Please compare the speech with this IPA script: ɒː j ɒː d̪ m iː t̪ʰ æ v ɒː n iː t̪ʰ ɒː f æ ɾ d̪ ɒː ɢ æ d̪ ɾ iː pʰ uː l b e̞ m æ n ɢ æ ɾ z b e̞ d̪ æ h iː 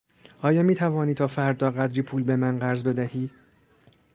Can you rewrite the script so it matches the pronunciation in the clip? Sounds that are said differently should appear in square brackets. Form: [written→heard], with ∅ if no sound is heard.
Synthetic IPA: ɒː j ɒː [d̪→∅] m iː t̪ʰ æ v ɒː n iː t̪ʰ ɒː f æ ɾ d̪ ɒː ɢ æ d̪ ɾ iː pʰ uː l b e̞ m æ n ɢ æ ɾ z b e̞ d̪ æ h iː